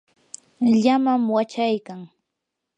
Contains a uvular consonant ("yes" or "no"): no